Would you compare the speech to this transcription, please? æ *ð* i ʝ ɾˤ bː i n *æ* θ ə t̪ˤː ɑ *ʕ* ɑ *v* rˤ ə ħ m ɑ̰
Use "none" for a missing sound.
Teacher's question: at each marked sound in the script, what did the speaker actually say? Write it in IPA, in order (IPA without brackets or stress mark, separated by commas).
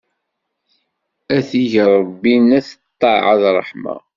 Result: θ, æ, ʕ, ð